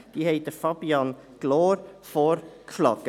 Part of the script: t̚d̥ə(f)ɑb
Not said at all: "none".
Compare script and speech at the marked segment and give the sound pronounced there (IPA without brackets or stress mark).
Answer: f